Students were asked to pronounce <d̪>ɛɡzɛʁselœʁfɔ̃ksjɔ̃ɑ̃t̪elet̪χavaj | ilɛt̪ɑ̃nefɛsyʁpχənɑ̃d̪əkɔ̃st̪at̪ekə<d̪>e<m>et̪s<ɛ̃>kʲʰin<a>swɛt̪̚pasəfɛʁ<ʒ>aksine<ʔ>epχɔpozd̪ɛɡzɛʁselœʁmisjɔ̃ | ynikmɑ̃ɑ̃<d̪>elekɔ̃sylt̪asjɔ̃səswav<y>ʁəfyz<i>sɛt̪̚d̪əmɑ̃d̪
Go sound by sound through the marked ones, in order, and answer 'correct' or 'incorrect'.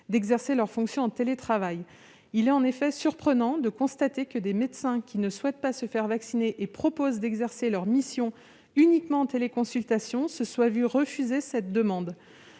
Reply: correct, correct, correct, correct, incorrect: ə, incorrect: v, correct, incorrect: t̪, correct, incorrect: e

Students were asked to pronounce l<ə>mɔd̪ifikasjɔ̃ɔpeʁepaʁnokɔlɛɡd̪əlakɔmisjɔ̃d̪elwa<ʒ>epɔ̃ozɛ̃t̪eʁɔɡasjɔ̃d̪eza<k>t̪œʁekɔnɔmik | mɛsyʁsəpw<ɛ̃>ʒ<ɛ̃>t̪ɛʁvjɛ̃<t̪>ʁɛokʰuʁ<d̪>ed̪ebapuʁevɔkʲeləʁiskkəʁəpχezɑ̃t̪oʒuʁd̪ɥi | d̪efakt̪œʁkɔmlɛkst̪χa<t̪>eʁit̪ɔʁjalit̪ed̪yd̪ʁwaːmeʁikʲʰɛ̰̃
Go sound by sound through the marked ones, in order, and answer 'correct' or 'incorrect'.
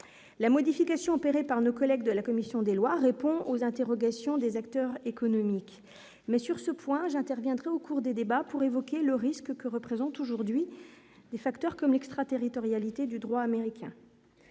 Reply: incorrect: a, incorrect: ʁ, correct, correct, correct, incorrect: d̪, correct, correct

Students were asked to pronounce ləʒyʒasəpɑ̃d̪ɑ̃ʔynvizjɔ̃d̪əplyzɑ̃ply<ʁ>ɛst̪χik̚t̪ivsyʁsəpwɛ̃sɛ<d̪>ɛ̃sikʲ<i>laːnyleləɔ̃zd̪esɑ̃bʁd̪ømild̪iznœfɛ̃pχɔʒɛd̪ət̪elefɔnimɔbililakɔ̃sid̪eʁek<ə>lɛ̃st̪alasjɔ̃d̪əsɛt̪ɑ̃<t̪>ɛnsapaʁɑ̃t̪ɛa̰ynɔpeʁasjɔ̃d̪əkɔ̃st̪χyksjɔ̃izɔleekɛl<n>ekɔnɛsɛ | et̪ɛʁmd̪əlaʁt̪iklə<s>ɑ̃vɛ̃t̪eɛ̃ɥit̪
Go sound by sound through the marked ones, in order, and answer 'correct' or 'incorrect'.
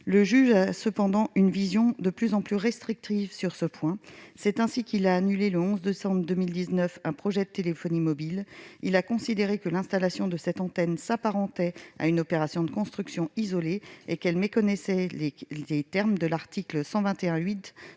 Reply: correct, incorrect: t̪, correct, correct, correct, incorrect: m, correct

